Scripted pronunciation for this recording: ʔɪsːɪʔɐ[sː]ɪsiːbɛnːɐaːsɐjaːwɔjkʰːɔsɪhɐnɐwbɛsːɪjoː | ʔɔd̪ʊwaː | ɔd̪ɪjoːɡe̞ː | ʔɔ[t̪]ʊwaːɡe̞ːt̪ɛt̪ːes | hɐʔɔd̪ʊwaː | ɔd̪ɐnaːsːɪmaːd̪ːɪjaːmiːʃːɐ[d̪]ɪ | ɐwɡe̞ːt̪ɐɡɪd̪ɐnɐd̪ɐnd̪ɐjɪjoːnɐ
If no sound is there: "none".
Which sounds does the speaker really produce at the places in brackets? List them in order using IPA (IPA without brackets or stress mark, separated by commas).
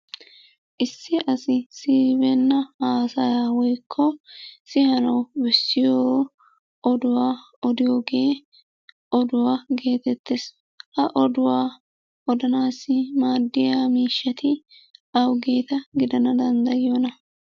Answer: s, d̪, t̪